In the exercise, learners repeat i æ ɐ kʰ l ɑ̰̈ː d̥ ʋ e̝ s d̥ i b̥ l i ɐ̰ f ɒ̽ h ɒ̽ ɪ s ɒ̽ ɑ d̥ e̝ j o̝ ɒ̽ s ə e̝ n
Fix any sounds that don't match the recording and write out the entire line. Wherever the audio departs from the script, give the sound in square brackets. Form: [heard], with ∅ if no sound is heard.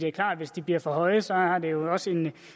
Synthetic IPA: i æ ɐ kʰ l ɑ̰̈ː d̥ ʋ e̝ s d̥ i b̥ l i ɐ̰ f ɒ̽ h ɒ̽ ɪ s ɒ̽ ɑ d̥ e̝ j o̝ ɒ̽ s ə e̝ n